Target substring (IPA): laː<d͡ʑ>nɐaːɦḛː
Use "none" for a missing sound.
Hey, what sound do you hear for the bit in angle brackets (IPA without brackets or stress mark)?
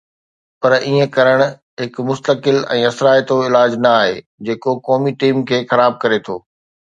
d͡ʑ